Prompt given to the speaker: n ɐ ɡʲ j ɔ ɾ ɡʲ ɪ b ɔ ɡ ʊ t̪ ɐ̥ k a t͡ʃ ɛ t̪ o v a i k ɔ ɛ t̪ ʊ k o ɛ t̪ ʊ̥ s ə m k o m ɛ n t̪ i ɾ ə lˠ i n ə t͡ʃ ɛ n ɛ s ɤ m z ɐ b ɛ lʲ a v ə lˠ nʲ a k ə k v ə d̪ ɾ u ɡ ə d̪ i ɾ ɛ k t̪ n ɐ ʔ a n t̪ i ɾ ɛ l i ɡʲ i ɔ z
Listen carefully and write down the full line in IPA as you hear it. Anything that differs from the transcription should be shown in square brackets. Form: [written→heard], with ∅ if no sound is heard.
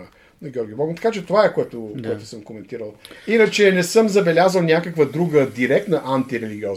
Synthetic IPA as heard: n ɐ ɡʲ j ɔ ɾ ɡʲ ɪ b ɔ ɡ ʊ t̪ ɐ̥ k a t͡ʃ ɛ t̪ o v a [i→ɛ] k [ɔ→o] ɛ t̪ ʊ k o ɛ t̪ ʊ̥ s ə m k o m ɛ n t̪ i ɾ ə lˠ i n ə t͡ʃ ɛ n ɛ s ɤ m z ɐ b ɛ lʲ a [v→z] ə lˠ nʲ a k ə k v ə d̪ ɾ u ɡ ə d̪ i ɾ ɛ k t̪ n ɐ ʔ a n t̪ i ɾ ɛ l i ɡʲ i ɔ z